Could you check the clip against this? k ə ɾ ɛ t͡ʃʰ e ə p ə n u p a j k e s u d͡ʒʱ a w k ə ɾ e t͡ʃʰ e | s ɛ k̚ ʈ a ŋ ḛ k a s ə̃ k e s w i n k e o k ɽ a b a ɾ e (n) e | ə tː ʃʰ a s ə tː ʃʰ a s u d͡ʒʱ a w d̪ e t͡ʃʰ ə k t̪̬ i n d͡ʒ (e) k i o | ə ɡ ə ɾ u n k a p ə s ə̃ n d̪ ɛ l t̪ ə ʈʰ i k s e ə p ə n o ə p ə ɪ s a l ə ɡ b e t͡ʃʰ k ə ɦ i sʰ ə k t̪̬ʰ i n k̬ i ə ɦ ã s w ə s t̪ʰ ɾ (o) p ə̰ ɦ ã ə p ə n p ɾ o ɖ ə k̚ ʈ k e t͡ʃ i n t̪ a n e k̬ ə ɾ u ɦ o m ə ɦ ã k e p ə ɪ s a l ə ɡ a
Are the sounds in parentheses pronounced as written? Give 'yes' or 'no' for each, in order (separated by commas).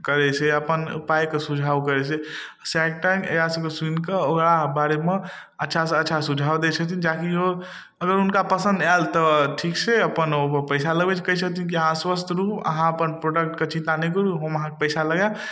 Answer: no, no, no